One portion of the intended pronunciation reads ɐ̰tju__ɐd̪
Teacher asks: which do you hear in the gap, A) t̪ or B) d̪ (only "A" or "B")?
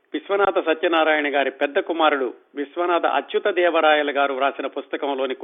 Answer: A